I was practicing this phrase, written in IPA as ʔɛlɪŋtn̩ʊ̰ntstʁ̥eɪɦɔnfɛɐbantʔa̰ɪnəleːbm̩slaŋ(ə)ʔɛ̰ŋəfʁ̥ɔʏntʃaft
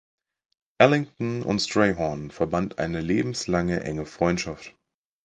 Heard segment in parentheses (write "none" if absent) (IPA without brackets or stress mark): ə